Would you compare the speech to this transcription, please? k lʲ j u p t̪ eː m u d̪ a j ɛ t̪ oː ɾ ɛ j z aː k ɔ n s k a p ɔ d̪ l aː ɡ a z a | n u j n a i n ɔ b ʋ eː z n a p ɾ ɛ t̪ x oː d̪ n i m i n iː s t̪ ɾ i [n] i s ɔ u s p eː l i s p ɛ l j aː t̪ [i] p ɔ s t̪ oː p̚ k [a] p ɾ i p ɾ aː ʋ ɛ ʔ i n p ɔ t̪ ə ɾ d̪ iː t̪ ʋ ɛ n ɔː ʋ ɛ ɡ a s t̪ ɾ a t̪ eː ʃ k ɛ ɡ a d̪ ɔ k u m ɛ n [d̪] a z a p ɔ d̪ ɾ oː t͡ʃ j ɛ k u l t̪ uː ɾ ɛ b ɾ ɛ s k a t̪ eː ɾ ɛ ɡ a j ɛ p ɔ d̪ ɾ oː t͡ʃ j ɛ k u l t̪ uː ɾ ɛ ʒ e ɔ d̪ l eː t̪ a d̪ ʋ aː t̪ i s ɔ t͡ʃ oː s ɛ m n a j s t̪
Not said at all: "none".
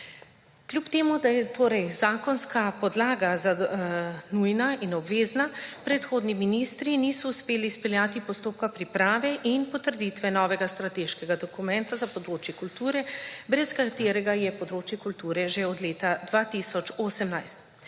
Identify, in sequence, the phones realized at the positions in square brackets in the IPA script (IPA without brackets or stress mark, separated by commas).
n, i, a, t̪